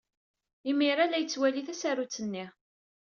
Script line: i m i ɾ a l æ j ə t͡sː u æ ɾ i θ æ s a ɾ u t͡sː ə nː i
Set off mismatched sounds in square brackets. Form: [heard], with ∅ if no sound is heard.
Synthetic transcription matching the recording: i m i ɾ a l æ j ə t͡sː [w] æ [l] i θ æ s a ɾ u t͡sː ə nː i